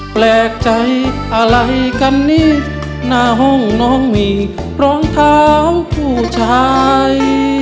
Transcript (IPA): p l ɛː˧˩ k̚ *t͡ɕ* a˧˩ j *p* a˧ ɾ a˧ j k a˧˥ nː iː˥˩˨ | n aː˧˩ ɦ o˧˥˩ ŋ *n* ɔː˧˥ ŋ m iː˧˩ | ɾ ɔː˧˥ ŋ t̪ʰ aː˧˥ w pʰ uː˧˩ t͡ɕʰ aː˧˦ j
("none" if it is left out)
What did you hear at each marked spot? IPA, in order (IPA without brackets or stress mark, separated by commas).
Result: t͡ɕ, ʔ, n